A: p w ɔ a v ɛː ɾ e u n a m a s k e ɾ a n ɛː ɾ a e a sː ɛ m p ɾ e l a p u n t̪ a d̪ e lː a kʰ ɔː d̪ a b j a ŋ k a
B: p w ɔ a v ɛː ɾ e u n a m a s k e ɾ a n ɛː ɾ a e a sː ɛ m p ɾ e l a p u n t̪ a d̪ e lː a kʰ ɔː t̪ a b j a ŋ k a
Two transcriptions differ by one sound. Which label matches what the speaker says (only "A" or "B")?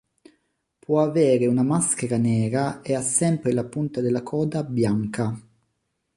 A